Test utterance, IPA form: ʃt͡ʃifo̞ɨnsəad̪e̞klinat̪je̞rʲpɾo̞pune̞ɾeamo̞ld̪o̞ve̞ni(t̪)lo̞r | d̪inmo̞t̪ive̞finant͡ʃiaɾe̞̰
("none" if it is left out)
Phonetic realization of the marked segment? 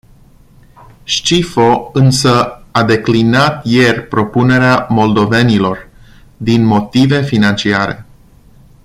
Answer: none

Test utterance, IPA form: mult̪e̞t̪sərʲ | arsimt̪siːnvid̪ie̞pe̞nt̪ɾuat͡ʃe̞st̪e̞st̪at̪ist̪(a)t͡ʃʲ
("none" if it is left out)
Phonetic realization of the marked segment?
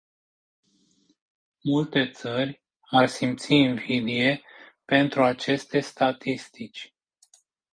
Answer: i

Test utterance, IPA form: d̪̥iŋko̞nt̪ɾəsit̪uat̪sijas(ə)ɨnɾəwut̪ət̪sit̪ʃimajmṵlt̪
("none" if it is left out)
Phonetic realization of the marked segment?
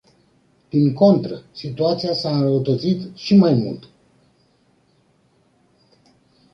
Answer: a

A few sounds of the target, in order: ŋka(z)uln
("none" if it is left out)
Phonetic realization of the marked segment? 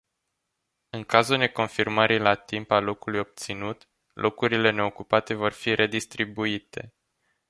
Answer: z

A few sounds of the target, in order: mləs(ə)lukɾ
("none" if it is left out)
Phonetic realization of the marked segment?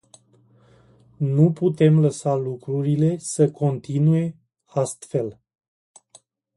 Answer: a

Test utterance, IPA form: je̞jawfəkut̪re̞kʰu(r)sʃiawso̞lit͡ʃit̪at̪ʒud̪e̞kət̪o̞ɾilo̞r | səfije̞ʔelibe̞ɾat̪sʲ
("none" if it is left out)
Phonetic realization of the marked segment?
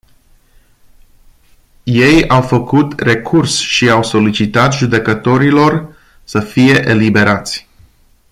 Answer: r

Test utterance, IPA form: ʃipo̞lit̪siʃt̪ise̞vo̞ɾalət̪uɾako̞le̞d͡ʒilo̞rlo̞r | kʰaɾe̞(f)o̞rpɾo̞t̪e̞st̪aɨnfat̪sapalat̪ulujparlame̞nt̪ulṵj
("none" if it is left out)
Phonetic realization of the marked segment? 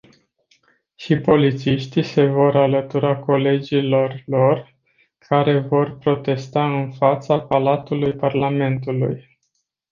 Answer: v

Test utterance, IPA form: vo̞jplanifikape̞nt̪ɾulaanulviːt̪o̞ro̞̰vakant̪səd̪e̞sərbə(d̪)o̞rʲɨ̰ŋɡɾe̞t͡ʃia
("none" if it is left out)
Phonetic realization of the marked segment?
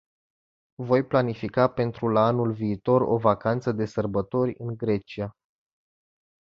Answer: t̪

